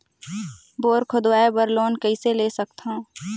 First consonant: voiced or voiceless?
voiced